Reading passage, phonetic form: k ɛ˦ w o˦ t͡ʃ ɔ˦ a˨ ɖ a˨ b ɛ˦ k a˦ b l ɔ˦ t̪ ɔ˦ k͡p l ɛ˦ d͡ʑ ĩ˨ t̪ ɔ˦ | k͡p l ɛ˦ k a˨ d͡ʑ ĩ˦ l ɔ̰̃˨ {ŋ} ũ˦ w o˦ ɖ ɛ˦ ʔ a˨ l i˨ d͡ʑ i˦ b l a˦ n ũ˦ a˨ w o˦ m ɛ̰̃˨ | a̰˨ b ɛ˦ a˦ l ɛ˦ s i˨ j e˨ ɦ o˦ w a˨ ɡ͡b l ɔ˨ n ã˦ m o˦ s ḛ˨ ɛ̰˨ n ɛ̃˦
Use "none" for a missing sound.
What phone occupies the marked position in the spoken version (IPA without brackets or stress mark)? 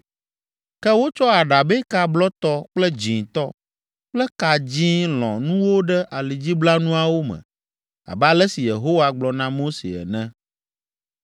n